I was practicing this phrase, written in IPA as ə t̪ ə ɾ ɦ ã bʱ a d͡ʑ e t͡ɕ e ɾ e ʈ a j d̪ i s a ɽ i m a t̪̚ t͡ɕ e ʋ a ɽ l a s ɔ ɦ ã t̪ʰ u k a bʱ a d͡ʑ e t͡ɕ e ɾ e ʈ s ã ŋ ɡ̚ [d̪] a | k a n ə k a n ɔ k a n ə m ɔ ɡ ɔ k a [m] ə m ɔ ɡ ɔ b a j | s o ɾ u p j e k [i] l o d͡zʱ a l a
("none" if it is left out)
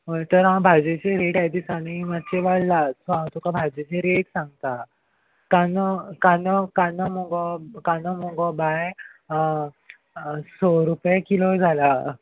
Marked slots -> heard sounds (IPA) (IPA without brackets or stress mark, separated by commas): t̪, n, i